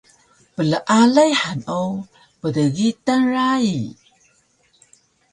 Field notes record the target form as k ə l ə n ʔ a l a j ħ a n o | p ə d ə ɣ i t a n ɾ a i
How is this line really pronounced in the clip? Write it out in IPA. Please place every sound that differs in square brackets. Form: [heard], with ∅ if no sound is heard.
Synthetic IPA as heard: [p] ə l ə [∅] ʔ a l a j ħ a n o | p ə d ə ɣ i t a n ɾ a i